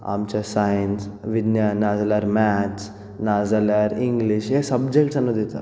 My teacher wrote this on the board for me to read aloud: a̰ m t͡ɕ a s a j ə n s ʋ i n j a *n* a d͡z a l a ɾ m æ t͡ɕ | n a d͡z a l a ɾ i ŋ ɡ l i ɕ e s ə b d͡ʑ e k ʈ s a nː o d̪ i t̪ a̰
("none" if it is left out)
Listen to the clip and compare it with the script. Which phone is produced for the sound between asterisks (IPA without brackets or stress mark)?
n